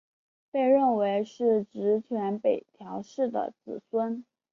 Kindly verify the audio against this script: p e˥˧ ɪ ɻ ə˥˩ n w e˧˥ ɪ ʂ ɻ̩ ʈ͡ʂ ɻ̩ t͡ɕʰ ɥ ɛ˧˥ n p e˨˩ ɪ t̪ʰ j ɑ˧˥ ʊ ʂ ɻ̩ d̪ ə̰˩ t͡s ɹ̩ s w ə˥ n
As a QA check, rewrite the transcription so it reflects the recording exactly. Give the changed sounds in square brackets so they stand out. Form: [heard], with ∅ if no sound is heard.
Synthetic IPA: p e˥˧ ɪ ɻ ə˥˩ n w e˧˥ ɪ ʂ ɻ̩ ʈ͡ʂ ɻ̩ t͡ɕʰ ɥ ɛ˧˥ n p e˨˩ ɪ t̪ʰ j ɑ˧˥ ʊ ʂ ɻ̩ d̪ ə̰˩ t͡s ɹ̩ s w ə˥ n